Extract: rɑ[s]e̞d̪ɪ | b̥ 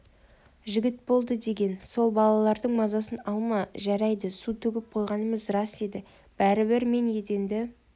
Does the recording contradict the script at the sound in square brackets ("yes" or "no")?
no